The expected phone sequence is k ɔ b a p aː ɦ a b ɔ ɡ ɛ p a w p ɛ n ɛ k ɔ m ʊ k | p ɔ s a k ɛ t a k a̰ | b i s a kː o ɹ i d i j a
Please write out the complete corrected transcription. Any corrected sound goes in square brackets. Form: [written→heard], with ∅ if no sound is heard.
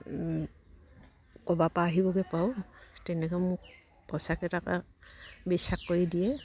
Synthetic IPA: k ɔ b a p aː ɦ [a→i] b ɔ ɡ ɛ p a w [p→t] ɛ n ɛ k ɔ m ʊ k | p ɔ s a k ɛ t a k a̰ | b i s a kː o ɹ i d i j [a→ɛ]